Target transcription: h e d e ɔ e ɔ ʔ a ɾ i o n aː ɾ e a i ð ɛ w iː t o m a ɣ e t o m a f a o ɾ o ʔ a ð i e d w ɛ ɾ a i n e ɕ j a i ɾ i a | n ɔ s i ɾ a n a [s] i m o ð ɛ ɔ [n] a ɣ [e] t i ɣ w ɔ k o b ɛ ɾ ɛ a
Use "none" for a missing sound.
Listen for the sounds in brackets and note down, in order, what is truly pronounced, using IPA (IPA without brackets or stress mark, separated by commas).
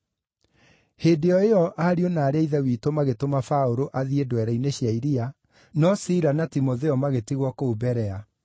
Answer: t, m, e